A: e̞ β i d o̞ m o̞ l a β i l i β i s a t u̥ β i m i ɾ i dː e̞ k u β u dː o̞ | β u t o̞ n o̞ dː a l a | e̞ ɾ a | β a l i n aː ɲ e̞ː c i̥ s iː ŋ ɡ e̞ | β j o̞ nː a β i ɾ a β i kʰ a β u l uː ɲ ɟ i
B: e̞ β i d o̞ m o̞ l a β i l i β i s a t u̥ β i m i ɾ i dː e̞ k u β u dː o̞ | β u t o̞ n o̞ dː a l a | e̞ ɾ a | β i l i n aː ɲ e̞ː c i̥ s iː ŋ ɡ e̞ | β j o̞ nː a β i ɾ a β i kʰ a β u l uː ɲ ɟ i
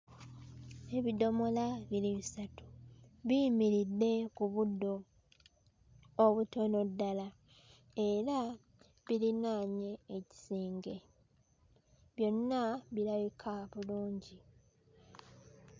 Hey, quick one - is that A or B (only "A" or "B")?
B